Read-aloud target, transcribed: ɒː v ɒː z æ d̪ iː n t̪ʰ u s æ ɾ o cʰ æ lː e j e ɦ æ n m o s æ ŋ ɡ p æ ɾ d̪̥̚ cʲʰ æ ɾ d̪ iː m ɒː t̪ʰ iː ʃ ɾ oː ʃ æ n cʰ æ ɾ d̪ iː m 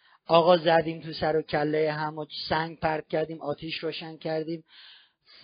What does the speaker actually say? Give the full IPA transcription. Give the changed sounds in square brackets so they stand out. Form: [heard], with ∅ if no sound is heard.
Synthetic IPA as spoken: ɒː [ɣ] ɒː z æ d̪ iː [m] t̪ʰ u s æ ɾ o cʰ æ lː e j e ɦ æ [∅] m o s æ ŋ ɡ p æ ɾ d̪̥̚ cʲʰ æ ɾ d̪ iː m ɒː t̪ʰ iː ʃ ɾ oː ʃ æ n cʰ æ ɾ d̪ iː m